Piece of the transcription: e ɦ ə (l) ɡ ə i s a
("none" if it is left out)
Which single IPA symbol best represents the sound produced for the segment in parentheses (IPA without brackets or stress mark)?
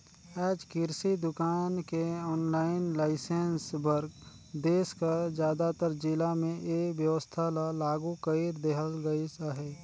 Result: l